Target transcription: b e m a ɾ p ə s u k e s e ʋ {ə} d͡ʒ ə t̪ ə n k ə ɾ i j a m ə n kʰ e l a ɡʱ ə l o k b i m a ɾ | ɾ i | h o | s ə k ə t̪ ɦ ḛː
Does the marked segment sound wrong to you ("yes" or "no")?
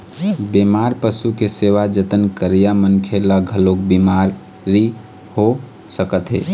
yes